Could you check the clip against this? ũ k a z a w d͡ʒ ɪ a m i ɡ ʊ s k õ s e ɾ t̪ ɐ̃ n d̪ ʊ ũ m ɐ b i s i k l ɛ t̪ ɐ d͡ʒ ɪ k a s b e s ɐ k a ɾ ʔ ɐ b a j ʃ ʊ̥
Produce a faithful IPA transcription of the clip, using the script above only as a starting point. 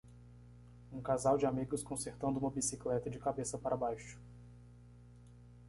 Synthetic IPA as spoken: ũ k a z a w d͡ʒ ɪ a m i ɡ ʊ s k õ s e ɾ t̪ ɐ̃ n d̪ ʊ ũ m ɐ b i s i k l ɛ t̪ ɐ d͡ʒ ɪ k a b e s ɐ p a ɾ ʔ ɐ b a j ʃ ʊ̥